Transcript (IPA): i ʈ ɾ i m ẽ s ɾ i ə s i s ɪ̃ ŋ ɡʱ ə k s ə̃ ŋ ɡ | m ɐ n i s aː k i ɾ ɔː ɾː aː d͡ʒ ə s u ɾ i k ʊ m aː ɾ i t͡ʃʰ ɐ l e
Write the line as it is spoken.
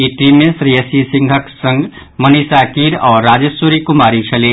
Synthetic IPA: i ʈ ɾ i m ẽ s ɾ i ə s i s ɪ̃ ŋ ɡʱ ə k s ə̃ ŋ ɡ | m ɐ n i s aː k i ɾ ɔː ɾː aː d͡ʒ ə s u ɾ i k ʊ m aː ɾ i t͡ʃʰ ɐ l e

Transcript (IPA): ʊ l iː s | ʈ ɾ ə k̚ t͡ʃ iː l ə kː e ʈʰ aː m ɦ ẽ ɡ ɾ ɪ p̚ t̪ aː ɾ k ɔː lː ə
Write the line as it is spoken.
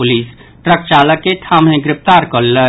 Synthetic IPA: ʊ l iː s | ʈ ɾ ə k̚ t͡ʃ aː l ə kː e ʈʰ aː m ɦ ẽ ɡ ɾ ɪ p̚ t̪ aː ɾ k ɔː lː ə

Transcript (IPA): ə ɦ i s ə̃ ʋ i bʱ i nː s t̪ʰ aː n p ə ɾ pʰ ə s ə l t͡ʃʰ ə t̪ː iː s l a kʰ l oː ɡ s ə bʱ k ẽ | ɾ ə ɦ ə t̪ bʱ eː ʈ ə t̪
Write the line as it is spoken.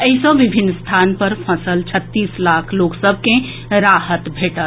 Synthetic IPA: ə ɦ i s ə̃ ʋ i bʱ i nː s t̪ʰ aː n p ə ɾ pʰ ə s ə l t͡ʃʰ ə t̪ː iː s l a kʰ l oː k s ə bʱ k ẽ | ɾ a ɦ ə t̪ bʱ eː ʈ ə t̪

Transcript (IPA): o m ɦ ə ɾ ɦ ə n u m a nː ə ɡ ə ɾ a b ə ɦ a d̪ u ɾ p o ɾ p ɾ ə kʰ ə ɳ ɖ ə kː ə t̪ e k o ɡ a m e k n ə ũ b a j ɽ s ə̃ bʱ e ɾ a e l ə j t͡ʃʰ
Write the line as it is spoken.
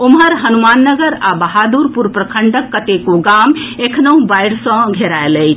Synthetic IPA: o m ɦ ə ɾ ɦ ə n u m a nː ə ɡ ə ɾ a b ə ɦ a d̪ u ɾ p u ɾ p ɾ ə kʰ ə ɳ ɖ ə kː ə t̪ e k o ɡ a m e kʰ n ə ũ b a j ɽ s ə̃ ɡʱ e ɾ a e l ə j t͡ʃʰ

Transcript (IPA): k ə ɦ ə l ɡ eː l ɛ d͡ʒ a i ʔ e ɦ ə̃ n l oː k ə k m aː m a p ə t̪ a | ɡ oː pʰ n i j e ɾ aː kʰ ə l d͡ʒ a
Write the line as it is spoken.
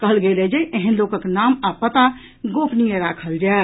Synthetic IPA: k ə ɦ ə l ɡ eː l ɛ d͡ʒ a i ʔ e ɦ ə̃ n l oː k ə k n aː m a p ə t̪ a | ɡ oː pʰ n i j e ɾ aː kʰ ə l d͡ʒ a

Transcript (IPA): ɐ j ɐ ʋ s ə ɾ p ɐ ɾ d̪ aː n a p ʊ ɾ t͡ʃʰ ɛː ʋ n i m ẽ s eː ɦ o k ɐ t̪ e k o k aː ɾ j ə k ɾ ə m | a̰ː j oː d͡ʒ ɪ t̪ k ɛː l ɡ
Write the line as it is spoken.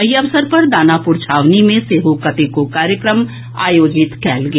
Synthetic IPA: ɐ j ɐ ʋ s ə ɾ p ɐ ɾ d̪ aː n a p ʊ ɾ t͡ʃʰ aː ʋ n i m ẽ s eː ɦ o k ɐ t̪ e k o k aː ɾ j ə k ɾ ə m | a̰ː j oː d͡ʒ ɪ t̪ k ɛː l ɡ

